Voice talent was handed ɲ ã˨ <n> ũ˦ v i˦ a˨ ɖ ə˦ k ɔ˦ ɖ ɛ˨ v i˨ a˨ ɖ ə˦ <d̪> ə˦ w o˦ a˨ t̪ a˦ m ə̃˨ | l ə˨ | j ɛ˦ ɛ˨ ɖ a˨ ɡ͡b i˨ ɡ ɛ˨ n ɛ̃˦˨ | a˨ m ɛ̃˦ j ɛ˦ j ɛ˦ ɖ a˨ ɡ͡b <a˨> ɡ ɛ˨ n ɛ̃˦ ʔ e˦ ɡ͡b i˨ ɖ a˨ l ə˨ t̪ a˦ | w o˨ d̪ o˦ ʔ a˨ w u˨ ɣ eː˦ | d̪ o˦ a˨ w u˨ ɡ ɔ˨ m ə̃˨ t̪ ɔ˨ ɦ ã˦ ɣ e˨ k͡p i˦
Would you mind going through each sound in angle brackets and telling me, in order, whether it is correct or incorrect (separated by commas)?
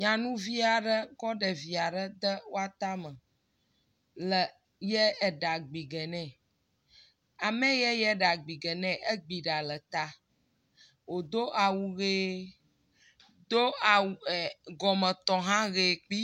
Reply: correct, correct, incorrect